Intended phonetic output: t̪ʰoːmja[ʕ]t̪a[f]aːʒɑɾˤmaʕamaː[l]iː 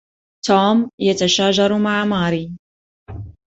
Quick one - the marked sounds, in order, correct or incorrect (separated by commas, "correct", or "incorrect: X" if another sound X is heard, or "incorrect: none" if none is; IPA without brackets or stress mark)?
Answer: incorrect: none, incorrect: ʃ, incorrect: ɾ